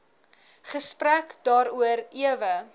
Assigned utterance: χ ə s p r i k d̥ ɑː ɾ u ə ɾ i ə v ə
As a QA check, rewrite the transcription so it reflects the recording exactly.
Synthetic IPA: χ ə s p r æ k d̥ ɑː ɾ u ə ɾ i ə v ə